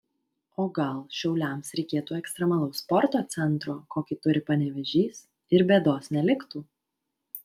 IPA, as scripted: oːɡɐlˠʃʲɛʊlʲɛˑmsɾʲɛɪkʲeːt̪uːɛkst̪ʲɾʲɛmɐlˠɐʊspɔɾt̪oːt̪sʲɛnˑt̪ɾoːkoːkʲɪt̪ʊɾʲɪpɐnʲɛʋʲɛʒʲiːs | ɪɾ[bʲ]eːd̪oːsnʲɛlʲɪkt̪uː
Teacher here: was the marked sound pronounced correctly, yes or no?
yes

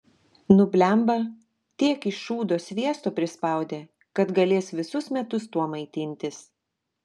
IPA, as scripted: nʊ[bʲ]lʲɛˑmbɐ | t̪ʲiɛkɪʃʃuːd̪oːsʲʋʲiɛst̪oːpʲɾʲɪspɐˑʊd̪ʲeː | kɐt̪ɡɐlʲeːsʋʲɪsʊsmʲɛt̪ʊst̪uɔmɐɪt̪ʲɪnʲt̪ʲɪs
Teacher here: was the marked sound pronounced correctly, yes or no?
yes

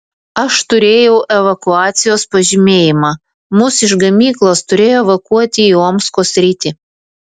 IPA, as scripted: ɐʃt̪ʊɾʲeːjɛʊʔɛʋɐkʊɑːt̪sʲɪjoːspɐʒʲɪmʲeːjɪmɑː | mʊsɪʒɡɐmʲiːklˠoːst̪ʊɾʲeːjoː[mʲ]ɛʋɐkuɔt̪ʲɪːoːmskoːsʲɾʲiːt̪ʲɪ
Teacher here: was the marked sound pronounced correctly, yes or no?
no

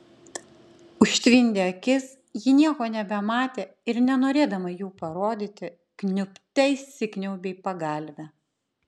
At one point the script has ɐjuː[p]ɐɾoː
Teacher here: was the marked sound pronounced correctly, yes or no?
yes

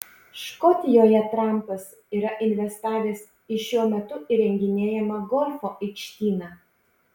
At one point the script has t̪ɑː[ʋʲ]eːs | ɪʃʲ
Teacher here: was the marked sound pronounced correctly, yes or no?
yes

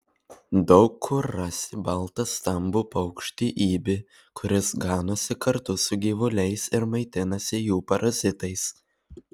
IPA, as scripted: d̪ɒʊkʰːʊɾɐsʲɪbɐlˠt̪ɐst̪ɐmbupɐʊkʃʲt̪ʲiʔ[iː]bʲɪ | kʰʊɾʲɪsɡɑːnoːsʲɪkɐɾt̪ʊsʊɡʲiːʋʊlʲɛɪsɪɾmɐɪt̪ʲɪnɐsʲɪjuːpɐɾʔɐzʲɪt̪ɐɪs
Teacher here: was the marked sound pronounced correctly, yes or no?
yes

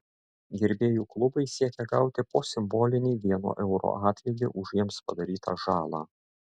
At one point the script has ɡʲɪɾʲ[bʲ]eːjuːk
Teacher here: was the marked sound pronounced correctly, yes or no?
yes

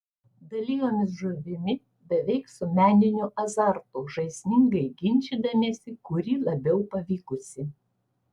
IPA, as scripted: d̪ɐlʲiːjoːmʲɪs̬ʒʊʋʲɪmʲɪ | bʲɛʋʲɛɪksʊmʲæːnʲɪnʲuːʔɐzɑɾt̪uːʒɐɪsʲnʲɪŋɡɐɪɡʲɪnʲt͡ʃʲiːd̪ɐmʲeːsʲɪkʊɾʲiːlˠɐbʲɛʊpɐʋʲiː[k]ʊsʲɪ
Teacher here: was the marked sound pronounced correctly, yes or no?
yes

